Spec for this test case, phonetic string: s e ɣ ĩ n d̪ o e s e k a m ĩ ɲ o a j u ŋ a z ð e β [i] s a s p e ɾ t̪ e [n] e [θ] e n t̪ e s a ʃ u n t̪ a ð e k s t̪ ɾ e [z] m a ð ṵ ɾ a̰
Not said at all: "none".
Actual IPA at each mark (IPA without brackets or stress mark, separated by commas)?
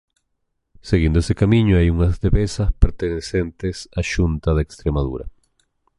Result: e, n, s, none